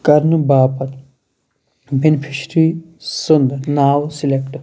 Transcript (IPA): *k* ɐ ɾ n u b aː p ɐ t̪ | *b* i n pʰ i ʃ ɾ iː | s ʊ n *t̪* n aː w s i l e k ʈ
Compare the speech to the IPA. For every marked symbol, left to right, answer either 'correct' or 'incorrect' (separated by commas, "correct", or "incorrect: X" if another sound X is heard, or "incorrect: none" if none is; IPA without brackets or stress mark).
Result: correct, correct, incorrect: d̪